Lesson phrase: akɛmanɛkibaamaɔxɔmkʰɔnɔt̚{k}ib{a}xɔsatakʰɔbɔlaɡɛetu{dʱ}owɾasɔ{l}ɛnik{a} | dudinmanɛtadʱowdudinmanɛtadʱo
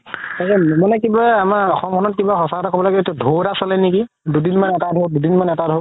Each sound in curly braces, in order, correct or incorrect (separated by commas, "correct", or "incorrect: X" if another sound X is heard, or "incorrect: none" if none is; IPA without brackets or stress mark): correct, correct, correct, correct, incorrect: i